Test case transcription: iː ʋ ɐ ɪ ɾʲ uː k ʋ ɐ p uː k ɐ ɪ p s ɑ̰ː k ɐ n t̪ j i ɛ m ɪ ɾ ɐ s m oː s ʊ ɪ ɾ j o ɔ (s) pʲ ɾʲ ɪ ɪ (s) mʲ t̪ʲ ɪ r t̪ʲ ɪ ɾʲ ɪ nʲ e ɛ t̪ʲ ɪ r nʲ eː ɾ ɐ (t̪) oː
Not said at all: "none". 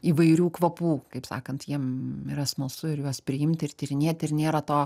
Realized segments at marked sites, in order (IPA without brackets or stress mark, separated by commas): s, none, t̪